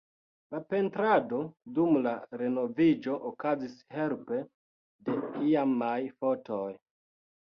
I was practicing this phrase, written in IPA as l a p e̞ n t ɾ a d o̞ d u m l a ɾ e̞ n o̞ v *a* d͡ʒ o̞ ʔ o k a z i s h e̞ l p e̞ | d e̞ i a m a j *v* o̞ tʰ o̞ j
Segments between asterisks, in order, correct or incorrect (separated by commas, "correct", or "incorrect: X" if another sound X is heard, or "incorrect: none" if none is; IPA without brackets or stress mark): incorrect: i, incorrect: f